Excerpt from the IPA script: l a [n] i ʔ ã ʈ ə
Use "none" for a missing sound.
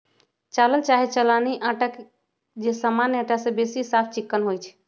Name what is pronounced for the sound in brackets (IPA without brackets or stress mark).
n